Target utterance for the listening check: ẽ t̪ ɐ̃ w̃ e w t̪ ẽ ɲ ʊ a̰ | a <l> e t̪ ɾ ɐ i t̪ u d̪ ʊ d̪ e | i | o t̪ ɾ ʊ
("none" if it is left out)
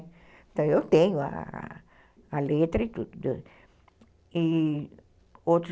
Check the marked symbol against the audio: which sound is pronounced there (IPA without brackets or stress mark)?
l